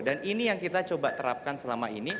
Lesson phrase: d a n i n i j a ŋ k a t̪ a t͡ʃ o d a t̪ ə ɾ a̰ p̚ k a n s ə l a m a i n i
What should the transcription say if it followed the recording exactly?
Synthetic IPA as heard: d a n i n i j a ŋ k i t̪ a t͡ʃ o b a t̪ ə ɾ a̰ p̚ k a n s ə l a m a i n i